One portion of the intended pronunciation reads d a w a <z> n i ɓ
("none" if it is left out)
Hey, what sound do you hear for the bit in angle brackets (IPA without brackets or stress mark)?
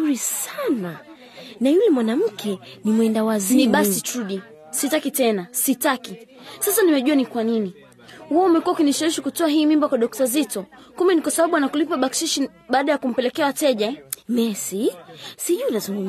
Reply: z